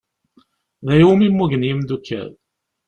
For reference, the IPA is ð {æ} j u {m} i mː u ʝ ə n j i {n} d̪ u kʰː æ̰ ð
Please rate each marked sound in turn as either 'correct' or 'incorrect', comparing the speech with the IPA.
correct, correct, incorrect

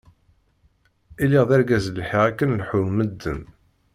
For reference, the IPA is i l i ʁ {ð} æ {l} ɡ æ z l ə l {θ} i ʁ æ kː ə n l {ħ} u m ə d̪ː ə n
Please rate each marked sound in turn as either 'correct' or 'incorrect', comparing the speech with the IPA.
correct, incorrect, incorrect, correct

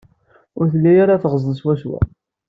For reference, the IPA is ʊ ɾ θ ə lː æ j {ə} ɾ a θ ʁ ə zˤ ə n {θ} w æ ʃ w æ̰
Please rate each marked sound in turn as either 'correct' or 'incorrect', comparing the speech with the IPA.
incorrect, incorrect

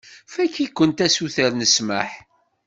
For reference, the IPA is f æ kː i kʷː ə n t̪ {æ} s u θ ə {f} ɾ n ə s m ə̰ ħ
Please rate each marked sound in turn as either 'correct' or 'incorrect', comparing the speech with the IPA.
correct, incorrect

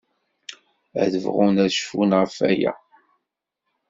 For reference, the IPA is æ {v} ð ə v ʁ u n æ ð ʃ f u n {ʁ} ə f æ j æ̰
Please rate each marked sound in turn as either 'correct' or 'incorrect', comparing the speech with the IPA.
incorrect, correct

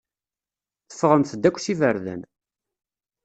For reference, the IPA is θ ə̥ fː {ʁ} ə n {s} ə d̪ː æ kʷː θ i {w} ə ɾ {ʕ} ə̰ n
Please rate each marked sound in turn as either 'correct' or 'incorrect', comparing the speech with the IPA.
correct, incorrect, incorrect, incorrect

